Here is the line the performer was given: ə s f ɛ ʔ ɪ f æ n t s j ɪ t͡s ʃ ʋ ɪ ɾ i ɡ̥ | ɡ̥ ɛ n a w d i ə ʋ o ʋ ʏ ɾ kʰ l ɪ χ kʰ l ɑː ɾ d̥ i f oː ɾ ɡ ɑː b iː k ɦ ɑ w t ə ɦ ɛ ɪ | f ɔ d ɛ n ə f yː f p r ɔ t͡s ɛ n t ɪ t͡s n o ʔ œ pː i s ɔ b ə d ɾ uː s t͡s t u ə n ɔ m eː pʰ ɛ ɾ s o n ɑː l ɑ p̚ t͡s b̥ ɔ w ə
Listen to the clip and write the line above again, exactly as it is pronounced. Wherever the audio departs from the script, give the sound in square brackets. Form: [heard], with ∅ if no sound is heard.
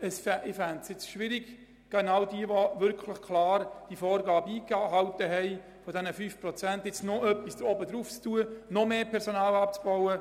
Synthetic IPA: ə s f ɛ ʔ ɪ f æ n t s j ɪ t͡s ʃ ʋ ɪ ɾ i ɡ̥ | ɡ̥ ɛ n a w d i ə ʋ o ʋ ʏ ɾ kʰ l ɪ χ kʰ l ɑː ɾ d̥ i f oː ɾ ɡ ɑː b iː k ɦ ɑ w t ə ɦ ɛ ɪ | f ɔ d ɛ n ə f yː f p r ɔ t͡s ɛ n t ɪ t͡s n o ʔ œ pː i s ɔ b ə d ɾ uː [f] t͡s t u ə n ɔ m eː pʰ ɛ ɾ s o n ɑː l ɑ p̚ t͡s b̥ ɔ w ə